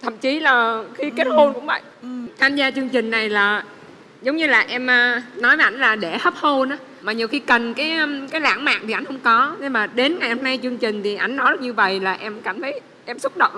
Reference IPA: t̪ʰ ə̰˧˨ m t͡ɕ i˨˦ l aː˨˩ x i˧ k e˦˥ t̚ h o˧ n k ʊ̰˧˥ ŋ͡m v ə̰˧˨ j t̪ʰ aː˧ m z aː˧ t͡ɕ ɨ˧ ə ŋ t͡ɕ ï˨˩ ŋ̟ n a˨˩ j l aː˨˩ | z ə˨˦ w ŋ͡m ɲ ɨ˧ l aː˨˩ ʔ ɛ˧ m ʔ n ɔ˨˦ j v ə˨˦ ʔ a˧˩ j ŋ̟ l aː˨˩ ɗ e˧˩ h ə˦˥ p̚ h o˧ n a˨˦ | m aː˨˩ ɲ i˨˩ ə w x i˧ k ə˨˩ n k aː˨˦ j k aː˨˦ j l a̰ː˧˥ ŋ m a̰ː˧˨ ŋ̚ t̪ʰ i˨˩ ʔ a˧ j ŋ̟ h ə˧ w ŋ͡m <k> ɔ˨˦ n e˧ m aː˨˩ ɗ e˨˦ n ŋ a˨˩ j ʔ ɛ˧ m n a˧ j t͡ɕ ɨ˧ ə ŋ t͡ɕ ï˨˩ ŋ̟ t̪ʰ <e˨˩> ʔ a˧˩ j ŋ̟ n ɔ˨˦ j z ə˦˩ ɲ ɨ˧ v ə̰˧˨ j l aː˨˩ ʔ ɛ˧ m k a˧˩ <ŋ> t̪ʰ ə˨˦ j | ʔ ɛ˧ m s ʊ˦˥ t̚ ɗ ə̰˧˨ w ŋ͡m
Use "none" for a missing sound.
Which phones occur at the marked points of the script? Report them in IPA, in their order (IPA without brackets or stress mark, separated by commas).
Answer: k, i˨˩, m